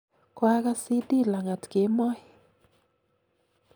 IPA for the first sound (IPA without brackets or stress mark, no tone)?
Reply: k